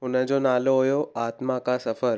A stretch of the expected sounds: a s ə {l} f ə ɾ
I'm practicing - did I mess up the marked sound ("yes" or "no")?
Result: yes